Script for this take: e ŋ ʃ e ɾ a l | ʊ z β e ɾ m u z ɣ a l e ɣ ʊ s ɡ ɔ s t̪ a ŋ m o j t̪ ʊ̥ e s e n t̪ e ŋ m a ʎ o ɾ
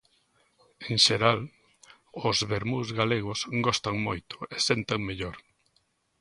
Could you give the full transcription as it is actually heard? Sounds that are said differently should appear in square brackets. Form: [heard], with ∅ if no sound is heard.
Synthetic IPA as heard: e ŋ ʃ e ɾ a l | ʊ z β e ɾ m u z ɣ a l e ɣ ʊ s ɡ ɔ s t̪ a ŋ m o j t̪ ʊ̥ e s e n t̪ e ŋ m [e] ʎ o ɾ